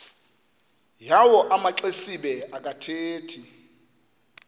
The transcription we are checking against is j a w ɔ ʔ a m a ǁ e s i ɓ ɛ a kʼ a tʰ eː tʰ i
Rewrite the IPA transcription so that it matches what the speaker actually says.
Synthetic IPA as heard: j a w ɔ ʔ a m a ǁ e s i ɓ ɛ a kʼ a tʰ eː tʰ i